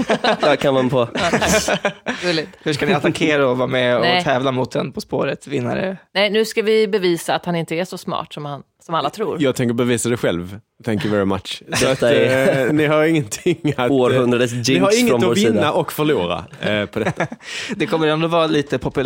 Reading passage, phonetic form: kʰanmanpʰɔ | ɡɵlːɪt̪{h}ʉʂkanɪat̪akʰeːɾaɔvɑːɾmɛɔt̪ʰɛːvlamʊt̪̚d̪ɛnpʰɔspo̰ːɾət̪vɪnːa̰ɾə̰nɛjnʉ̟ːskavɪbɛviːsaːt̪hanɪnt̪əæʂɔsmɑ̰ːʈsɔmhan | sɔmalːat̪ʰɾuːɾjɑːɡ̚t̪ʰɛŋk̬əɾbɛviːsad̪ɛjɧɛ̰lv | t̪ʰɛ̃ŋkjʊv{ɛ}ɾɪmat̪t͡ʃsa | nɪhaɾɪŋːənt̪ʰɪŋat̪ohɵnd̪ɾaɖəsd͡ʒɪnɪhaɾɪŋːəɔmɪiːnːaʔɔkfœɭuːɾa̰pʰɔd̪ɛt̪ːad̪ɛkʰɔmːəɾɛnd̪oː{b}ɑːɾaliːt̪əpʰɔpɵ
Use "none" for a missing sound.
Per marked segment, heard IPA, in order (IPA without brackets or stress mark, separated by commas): h, ɛ, v